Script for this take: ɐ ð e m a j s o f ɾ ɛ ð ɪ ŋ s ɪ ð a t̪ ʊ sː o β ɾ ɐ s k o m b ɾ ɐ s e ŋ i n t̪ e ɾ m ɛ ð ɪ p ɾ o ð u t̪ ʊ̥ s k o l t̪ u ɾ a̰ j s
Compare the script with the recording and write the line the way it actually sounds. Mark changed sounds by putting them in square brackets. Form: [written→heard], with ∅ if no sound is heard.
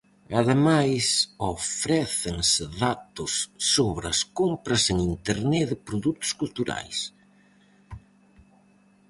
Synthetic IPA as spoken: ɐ ð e m a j s o f ɾ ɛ [ð→θ] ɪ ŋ s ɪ ð a t̪ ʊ sː o β ɾ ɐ s k o m [b→p] ɾ ɐ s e ŋ i n t̪ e ɾ [m→n] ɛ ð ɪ p ɾ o ð u t̪ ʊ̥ s k [o→u] l t̪ u ɾ a̰ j s